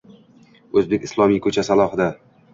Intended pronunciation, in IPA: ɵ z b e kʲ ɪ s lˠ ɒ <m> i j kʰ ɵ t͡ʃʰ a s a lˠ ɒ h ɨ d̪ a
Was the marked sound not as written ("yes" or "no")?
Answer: no